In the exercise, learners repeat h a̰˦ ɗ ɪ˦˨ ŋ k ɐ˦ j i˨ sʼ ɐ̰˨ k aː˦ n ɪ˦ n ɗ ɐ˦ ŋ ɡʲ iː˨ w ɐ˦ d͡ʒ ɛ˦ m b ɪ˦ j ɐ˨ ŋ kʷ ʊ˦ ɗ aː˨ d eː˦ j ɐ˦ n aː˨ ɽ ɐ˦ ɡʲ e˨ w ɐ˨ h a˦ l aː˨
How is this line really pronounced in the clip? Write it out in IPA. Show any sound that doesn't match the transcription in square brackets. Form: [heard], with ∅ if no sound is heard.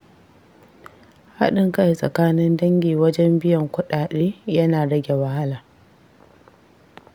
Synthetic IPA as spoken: h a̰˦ ɗ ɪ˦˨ ŋ k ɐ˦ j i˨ sʼ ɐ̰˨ k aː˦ n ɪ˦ n [d] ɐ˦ ŋ ɡʲ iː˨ w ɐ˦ d͡ʒ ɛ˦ m b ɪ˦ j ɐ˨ ŋ kʷ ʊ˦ ɗ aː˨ [ɗ] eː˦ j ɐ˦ n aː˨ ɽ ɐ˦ ɡʲ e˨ w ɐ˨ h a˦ l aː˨